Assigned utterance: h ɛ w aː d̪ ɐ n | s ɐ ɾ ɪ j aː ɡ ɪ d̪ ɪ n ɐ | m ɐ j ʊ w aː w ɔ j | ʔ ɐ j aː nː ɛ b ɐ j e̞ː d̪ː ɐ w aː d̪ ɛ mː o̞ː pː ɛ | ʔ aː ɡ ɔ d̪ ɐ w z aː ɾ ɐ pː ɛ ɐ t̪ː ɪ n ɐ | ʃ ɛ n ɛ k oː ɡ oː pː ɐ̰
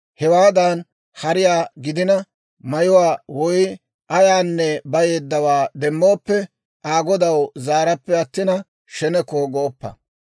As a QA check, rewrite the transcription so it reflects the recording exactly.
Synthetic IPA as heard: h ɛ w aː d̪ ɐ n | h ɐ ɾ ɪ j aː ɡ ɪ d̪ ɪ n ɐ | m ɐ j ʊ w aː w ɔ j | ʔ ɐ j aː nː ɛ b ɐ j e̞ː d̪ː ɐ w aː d̪ ɛ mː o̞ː pː ɛ | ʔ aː ɡ ɔ d̪ ɐ w z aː ɾ ɐ pː ɛ ɐ t̪ː ɪ n ɐ | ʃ ɛ n ɛ k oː ɡ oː pː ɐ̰